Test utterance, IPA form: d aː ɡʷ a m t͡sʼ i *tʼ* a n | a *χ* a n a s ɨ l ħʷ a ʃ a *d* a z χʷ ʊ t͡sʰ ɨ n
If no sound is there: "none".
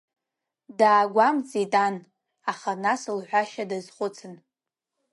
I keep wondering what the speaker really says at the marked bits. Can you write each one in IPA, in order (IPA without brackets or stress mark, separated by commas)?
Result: tʼ, χ, d